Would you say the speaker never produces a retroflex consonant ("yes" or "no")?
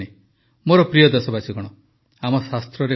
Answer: no